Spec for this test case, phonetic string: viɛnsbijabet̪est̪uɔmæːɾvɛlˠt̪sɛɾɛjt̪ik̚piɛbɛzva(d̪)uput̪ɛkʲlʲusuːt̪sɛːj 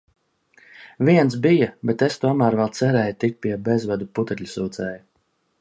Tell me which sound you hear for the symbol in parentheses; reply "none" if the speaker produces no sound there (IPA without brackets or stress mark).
d̪